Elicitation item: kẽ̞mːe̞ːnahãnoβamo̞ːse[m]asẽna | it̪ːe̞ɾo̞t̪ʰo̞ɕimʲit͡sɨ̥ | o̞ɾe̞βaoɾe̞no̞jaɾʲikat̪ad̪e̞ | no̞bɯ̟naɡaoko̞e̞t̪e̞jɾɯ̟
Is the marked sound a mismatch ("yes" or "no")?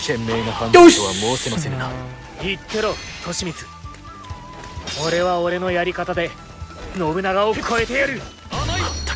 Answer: no